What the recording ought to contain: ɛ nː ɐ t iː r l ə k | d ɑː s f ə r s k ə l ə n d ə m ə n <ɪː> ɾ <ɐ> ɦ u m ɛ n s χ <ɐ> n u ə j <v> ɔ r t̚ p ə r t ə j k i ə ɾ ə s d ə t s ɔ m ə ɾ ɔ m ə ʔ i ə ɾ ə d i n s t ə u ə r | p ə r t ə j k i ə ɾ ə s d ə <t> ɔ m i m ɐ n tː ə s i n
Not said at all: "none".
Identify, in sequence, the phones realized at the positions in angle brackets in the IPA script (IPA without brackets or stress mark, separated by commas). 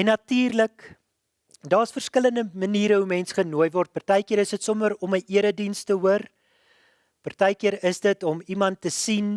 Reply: iː, ə, ə, v, t